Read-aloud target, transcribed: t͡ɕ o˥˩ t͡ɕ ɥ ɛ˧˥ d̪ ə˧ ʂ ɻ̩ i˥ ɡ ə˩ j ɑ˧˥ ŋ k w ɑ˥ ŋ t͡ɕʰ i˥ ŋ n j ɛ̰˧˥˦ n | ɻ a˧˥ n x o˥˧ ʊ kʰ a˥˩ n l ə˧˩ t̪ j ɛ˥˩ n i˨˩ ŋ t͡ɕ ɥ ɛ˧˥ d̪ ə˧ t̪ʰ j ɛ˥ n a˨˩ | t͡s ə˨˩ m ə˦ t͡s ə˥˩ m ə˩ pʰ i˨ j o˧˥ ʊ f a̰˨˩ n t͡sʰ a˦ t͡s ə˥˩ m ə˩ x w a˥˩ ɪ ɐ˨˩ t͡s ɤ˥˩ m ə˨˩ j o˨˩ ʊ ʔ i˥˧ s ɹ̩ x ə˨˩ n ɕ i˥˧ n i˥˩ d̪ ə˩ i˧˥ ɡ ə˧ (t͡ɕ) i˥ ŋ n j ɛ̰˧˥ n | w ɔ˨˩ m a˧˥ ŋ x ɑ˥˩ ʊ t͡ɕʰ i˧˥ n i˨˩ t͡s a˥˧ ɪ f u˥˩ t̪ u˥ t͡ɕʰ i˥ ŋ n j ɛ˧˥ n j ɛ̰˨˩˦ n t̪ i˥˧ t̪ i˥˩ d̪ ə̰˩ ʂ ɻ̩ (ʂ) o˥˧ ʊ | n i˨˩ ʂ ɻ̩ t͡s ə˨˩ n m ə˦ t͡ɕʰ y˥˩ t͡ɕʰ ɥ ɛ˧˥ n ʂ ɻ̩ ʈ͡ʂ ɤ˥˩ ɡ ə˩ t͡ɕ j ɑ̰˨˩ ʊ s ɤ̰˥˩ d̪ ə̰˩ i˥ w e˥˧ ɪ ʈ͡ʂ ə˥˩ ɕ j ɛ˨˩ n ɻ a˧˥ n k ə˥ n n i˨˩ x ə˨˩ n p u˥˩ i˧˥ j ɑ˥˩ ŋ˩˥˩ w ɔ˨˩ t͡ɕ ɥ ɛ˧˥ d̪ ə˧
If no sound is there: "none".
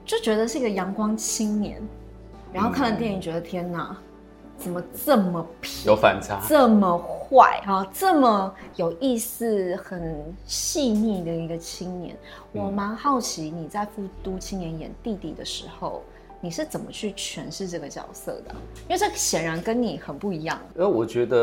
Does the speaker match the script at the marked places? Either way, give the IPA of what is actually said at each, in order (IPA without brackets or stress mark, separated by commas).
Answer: t͡ɕʰ, x